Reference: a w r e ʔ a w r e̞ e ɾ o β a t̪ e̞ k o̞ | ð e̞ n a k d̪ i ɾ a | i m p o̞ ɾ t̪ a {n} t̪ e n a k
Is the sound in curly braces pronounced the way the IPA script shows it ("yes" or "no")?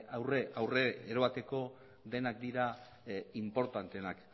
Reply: yes